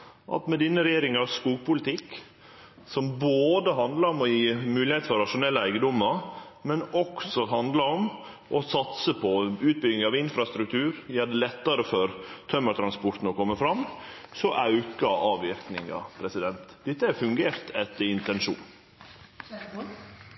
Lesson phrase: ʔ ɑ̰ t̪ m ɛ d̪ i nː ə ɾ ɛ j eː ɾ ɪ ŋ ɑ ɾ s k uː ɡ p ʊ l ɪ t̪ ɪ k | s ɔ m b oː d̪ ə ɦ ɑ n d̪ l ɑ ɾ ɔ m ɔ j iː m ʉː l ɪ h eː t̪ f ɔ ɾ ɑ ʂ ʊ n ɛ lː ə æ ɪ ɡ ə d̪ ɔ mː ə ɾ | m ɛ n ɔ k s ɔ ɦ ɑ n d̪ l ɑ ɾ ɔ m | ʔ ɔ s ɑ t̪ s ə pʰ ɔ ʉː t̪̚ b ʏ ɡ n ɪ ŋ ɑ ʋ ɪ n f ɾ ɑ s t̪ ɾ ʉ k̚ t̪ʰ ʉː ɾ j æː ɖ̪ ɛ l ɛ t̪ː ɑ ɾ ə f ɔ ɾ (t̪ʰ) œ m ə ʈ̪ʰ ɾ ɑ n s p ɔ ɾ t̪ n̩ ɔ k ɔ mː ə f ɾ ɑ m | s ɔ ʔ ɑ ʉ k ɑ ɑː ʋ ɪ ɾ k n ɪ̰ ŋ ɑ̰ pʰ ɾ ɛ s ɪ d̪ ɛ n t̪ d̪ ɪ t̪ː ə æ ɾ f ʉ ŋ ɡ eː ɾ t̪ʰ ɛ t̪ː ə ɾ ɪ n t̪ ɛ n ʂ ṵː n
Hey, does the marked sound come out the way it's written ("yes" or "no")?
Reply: yes